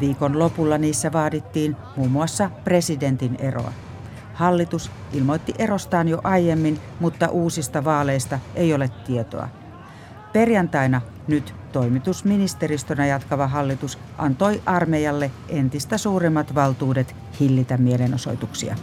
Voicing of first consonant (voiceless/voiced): voiced